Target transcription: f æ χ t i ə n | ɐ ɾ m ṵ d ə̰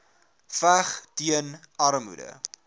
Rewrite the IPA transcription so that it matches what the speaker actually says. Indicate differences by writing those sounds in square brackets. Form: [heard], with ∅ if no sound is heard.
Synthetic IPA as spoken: f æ χ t i ə n | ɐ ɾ m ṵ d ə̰